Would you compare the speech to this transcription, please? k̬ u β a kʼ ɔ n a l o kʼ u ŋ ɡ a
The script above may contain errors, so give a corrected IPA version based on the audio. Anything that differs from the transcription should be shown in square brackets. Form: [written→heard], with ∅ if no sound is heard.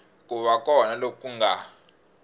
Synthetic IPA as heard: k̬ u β a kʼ ɔ n a l o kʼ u ŋ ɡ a